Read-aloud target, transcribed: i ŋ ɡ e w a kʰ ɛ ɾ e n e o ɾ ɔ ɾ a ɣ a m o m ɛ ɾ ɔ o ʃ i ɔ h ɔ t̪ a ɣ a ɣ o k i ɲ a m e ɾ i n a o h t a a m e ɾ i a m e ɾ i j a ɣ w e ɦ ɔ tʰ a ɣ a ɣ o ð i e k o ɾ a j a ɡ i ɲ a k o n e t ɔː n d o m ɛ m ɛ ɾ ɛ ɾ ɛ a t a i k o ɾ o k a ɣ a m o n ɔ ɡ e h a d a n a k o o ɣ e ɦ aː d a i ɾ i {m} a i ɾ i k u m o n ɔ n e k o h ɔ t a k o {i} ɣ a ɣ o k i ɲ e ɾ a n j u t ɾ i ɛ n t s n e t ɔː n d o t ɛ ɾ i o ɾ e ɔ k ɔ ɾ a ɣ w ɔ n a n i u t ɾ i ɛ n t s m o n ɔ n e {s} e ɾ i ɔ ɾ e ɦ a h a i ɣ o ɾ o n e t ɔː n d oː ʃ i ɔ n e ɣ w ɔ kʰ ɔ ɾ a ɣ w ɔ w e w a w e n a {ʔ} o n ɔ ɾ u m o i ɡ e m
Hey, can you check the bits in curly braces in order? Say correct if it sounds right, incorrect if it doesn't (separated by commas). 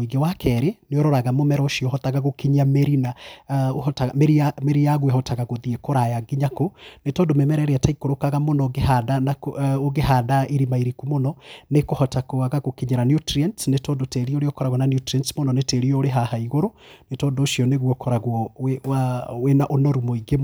correct, incorrect, incorrect, correct